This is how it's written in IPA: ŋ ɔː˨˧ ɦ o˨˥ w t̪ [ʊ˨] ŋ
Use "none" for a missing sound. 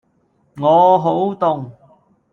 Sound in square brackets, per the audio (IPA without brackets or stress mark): ʊ˨